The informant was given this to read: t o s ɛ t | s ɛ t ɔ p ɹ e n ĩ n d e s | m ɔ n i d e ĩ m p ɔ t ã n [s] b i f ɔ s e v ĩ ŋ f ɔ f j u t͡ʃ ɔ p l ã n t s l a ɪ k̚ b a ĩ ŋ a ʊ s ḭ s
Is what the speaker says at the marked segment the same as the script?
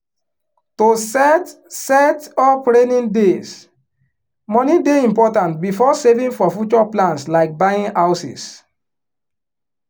no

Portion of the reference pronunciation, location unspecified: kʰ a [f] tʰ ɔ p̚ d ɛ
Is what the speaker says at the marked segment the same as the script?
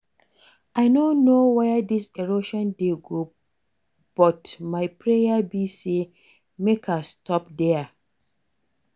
no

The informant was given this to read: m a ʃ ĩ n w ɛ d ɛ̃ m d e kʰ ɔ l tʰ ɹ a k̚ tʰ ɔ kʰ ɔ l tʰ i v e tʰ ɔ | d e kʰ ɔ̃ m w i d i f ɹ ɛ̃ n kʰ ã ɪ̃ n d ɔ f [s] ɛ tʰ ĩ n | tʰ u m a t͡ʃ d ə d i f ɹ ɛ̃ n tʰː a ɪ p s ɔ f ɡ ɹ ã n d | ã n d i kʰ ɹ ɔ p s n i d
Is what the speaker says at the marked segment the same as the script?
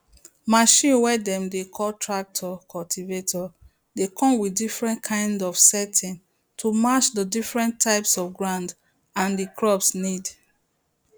yes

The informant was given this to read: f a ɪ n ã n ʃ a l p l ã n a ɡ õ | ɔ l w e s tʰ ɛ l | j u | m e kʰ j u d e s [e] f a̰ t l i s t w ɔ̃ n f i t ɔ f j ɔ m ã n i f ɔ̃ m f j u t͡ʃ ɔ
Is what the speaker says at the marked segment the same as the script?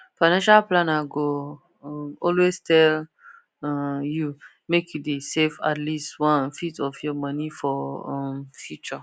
yes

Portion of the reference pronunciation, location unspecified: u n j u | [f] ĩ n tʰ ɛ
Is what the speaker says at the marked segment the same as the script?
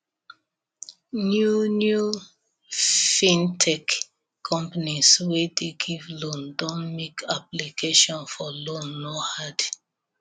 yes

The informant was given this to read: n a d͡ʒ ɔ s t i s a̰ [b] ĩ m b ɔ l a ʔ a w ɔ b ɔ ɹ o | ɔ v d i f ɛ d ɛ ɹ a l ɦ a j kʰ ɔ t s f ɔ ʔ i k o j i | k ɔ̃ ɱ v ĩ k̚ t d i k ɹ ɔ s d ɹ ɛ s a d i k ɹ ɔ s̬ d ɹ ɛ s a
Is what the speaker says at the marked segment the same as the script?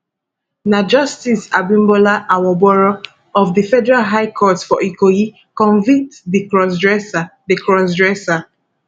yes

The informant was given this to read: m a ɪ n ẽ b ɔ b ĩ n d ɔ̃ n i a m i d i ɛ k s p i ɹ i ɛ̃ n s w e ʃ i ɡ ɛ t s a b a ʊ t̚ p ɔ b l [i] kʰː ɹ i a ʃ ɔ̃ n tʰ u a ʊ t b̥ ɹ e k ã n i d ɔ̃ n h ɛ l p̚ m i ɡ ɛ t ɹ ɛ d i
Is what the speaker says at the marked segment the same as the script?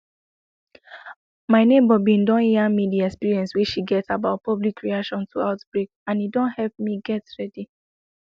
yes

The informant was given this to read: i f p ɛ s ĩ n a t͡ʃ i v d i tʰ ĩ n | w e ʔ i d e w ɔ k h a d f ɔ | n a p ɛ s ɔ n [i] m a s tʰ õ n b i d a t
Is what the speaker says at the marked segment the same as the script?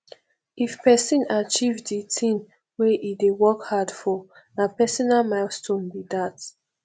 no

